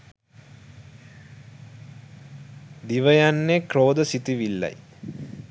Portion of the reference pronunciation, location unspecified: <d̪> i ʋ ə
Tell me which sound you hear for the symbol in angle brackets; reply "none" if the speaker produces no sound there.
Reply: d̪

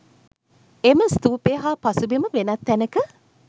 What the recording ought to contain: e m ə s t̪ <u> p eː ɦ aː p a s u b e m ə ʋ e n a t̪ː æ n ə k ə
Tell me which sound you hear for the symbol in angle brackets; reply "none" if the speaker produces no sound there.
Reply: uː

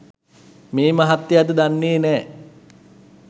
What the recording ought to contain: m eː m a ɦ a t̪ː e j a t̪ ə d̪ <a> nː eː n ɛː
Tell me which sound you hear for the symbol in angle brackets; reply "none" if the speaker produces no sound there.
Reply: a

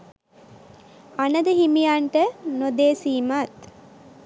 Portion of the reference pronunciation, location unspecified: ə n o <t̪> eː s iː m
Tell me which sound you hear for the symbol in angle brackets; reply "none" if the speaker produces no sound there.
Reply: d̪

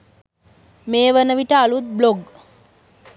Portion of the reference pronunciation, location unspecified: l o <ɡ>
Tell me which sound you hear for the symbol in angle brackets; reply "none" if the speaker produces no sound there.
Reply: ɡ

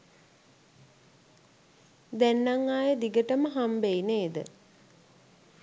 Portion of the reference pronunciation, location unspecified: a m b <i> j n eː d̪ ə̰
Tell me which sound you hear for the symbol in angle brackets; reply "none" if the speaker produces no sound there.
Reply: e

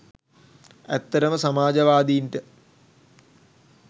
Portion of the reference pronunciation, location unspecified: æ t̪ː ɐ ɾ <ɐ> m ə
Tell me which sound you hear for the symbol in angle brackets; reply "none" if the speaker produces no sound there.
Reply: ə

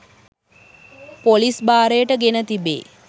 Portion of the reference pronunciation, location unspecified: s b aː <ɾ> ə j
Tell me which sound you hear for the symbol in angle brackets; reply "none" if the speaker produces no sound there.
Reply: ɾ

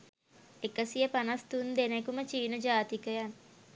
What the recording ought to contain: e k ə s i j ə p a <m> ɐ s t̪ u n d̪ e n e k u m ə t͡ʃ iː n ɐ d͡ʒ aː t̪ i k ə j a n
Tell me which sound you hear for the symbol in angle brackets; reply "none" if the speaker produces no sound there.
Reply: n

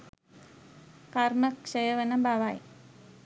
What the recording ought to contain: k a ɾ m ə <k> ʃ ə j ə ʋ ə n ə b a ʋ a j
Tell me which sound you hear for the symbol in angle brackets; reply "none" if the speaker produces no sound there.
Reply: k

